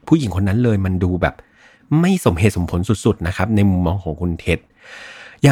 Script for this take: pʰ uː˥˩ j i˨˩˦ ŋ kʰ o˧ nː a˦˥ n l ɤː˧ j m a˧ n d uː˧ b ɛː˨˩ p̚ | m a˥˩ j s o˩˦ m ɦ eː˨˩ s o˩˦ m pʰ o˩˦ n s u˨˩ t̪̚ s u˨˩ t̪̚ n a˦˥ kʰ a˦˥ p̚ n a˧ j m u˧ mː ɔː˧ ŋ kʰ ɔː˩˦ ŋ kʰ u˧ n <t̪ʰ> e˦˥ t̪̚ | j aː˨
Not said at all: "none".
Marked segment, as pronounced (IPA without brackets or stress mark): t̪ʰ